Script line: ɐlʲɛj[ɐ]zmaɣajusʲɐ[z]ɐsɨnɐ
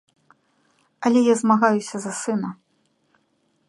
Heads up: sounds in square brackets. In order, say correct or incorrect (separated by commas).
incorrect, correct